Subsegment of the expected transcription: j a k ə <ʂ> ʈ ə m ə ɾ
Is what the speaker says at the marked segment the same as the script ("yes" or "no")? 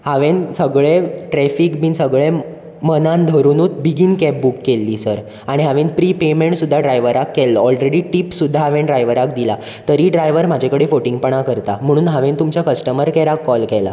no